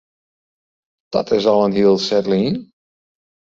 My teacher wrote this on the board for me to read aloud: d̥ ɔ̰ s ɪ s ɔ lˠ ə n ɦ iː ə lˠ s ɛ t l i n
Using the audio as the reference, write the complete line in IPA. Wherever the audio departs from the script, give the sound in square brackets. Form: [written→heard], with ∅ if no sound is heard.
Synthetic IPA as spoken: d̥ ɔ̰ [s→t] ɪ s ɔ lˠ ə n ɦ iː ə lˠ s ɛ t l i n

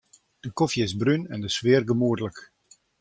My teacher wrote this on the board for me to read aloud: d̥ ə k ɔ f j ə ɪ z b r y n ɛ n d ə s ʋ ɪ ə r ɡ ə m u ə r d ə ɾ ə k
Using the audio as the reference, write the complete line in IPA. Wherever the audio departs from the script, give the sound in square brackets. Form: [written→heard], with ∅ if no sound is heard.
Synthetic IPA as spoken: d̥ ə k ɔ f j ə ɪ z b r y n ɛ n d ə s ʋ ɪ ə r ɡ ə m u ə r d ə [ɾ→l] ə k

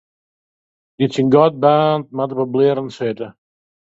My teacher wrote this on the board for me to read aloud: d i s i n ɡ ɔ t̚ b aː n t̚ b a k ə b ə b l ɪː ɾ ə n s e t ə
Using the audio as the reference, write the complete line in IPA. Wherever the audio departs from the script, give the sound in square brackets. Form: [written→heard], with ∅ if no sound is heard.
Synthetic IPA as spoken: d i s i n ɡ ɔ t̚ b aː n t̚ [b→m] a [k→t] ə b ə b l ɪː ɾ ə n s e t ə

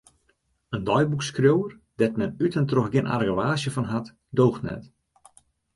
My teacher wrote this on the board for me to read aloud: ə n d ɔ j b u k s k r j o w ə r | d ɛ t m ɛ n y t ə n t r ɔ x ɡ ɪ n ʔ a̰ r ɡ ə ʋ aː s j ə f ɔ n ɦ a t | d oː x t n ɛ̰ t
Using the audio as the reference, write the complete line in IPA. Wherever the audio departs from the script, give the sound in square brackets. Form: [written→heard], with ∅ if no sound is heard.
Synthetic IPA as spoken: ə n d ɔ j b u k s k r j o w ə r | d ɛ t m ɛ n y t ə n t r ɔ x ɡ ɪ n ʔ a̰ r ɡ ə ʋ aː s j ə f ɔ n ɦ a t | d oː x t n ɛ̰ t

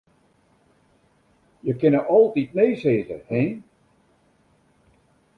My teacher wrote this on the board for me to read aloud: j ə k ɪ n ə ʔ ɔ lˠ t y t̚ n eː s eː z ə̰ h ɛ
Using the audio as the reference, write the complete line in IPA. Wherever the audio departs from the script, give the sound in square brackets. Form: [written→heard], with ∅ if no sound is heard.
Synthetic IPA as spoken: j ə k ɪ n ə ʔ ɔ lˠ t [y→i] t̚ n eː s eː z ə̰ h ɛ

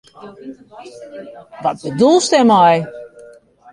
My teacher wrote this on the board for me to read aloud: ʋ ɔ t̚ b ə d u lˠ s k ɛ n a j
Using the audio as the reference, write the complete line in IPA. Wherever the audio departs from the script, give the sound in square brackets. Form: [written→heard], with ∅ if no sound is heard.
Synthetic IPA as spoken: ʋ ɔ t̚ b ə d u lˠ s [k→t] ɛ [n→m] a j

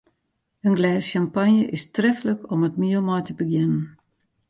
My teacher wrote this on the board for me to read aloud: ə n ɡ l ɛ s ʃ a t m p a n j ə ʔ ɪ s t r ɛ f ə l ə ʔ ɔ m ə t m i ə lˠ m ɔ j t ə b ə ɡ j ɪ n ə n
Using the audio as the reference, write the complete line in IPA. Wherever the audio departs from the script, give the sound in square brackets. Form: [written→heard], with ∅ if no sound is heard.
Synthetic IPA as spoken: ə n ɡ l [ɛ→ɛː] s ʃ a [t→∅] m p a n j ə ʔ ɪ s t r ɛ f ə l ə [ʔ→k] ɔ m ə t m i ə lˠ m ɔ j t ə b ə ɡ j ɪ n ə n

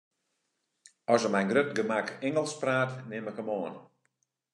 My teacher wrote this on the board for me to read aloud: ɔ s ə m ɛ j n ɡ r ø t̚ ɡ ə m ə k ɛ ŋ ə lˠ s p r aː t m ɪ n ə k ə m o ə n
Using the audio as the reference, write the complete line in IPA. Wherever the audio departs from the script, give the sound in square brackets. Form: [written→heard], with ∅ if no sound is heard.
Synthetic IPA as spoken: ɔ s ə m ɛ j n ɡ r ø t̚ ɡ ə m [ə→a] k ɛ ŋ ə lˠ s p r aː t [m→n] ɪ [n→m] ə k ə m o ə n

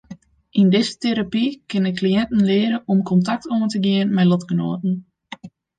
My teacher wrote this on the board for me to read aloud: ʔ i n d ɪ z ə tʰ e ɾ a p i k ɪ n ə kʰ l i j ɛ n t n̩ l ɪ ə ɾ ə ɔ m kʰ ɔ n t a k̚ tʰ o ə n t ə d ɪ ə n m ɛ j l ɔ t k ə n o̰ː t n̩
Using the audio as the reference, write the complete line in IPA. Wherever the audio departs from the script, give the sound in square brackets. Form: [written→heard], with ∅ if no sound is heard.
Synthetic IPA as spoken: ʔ i n d ɪ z ə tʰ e ɾ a p i k ɪ n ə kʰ l i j ɛ n t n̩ l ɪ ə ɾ ə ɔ m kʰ ɔ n t a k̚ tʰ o ə n t ə [d→ɡ] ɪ ə n m ɛ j l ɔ t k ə n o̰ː t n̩

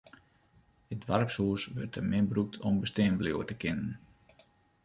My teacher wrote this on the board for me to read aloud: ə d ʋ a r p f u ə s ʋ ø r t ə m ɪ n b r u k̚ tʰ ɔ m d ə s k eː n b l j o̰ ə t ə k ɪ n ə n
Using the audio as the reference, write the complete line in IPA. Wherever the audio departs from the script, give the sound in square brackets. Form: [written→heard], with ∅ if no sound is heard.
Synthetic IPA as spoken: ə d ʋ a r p [f→s] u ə s ʋ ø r t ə m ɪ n b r u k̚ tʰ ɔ m [d→b] ə s [k→t] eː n b l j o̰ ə t ə k ɪ n ə n

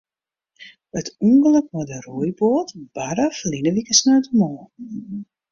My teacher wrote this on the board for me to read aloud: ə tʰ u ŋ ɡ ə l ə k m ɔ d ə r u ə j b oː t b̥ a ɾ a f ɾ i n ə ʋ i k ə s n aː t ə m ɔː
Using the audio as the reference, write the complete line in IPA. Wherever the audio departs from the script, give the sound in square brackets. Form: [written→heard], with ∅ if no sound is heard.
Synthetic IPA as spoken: ə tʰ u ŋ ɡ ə l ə k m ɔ d ə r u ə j b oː t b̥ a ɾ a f [ɾ→l] i n ə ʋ i k ə s n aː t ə m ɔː

